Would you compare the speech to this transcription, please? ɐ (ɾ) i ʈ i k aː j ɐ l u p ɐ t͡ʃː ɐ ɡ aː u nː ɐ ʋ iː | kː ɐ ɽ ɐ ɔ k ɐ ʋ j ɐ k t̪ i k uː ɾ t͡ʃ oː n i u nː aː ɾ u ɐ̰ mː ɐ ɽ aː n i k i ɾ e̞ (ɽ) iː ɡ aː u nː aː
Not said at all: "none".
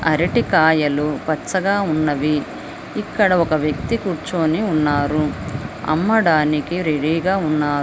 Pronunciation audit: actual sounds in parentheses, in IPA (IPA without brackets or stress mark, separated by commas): ɾ, ɽ